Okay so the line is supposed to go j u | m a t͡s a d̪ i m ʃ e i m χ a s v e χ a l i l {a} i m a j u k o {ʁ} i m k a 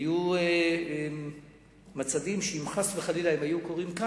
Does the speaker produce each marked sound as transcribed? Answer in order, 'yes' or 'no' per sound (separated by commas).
yes, yes